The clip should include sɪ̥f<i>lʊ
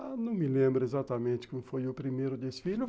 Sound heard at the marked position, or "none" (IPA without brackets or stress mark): i